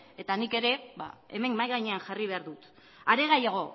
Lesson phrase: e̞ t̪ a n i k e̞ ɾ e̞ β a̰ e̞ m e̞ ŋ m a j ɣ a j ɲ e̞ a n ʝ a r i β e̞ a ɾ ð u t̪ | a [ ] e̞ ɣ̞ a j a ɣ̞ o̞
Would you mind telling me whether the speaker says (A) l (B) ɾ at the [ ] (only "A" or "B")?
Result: B